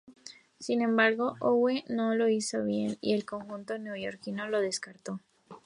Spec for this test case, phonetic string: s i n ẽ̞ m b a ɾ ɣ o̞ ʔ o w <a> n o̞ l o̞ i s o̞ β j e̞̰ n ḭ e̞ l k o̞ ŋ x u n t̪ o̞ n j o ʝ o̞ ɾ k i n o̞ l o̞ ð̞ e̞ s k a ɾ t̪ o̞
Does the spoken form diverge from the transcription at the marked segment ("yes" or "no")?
yes